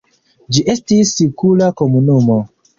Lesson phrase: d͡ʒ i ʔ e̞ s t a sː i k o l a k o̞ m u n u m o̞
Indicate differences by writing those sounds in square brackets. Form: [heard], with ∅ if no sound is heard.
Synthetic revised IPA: d͡ʒ i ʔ e̞ s t [i] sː i k [u] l a k o̞ m u n u m o̞